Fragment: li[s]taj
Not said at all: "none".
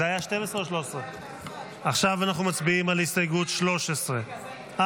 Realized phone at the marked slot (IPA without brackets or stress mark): s